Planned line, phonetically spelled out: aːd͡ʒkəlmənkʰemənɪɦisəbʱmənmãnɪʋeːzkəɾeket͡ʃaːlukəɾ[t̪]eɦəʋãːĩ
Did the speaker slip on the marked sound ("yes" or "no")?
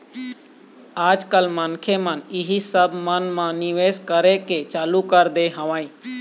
yes